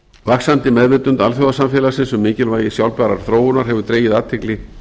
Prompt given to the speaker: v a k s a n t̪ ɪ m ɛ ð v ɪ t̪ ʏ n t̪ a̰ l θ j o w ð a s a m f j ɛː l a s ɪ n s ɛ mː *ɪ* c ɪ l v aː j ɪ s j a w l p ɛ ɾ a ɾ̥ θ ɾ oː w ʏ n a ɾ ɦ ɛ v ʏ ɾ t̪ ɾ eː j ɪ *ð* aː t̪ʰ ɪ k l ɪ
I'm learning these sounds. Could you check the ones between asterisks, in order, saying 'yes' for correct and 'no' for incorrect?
no, yes

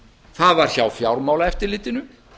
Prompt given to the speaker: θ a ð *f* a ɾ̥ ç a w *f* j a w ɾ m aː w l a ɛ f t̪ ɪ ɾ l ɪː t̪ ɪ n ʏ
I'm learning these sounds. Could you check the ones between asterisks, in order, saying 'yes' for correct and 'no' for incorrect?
no, yes

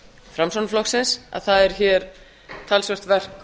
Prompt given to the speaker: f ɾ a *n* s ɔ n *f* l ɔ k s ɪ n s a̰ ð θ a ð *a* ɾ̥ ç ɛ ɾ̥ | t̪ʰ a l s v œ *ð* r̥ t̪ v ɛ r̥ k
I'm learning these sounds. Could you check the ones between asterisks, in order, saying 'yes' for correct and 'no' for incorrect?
no, yes, no, no

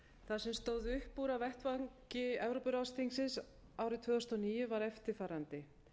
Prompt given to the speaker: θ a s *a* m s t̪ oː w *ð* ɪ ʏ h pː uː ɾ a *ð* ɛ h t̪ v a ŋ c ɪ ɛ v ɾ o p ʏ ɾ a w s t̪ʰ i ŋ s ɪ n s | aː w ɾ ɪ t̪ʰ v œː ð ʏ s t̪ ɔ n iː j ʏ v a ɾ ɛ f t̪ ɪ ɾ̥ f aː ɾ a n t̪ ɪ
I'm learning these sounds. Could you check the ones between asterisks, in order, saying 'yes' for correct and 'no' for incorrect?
no, yes, no

